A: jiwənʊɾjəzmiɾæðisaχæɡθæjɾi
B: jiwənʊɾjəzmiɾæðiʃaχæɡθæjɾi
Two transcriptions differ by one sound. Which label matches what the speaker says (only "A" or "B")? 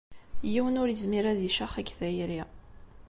B